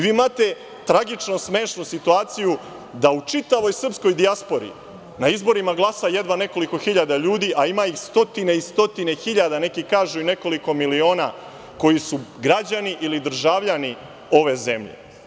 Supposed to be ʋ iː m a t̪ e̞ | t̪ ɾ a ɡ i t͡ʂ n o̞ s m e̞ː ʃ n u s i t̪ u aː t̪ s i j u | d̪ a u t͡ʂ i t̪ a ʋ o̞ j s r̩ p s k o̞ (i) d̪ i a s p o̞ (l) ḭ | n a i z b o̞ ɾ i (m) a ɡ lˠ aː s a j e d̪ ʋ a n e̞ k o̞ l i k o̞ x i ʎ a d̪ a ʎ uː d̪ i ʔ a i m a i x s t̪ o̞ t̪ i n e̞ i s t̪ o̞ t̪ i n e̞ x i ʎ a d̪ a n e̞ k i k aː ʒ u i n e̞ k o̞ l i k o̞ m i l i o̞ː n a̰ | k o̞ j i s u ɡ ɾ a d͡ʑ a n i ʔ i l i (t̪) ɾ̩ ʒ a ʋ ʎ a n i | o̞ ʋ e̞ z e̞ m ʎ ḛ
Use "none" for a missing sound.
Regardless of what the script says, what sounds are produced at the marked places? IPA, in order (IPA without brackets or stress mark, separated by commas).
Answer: j, ɾ, m, d̪